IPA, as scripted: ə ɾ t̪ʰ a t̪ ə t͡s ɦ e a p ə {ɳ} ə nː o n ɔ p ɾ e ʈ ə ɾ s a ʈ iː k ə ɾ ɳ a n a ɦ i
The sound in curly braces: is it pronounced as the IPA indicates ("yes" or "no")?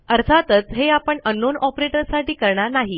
yes